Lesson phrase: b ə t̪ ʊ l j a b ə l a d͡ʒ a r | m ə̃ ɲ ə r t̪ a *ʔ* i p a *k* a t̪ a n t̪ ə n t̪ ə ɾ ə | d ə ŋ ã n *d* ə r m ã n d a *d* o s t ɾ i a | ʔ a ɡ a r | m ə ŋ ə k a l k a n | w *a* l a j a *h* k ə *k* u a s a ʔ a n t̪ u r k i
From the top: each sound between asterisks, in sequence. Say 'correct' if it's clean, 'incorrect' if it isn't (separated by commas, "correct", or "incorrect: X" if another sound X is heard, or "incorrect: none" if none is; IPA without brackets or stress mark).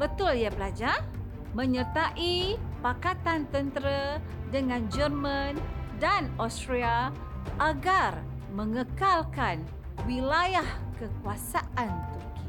correct, correct, incorrect: d͡ʒ, incorrect: n, incorrect: i, correct, correct